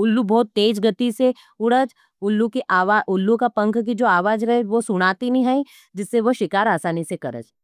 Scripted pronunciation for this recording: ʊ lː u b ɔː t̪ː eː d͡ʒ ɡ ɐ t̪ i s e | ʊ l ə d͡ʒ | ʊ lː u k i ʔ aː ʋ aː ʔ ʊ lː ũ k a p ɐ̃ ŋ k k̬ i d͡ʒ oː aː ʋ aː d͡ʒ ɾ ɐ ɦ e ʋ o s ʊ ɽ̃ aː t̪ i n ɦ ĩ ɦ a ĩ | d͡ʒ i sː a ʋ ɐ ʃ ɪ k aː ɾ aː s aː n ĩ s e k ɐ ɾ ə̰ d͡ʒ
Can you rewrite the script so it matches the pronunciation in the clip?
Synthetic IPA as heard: ʊ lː u b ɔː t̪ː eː d͡ʒ ɡ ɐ t̪ i s e | ʊ ɽ ə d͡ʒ | ʊ lː u k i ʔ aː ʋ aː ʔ ʊ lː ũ k a p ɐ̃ ŋ k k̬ i d͡ʒ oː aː ʋ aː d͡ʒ ɾ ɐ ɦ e ʋ o s ʊ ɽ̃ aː t̪ i n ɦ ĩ ɦ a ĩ | d͡ʒ ɪ sː e ʋ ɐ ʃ ɪ k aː ɾ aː s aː n i s e k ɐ ɾ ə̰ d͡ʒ